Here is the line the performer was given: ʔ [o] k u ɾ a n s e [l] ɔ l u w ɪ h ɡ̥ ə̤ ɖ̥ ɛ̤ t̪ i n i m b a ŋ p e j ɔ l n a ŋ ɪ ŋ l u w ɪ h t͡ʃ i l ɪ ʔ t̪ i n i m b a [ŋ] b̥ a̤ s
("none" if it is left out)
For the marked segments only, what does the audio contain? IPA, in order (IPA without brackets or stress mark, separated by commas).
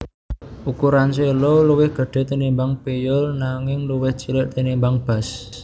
u, l, ŋ